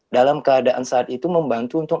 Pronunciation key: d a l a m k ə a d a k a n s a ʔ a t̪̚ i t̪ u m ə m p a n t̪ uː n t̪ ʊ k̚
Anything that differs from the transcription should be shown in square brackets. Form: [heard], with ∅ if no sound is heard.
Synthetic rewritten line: d a l a m k ə a d a [ʔ] a n s a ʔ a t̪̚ i t̪ u m ə m [b] a n t̪ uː n t̪ ʊ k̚